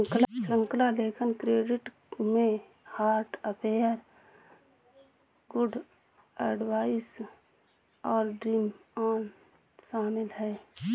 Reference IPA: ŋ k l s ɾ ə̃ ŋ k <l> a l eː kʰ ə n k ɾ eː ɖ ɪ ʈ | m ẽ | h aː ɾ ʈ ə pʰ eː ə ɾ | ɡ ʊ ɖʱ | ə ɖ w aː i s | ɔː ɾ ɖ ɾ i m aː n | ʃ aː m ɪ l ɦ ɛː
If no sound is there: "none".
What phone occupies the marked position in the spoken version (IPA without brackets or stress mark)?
l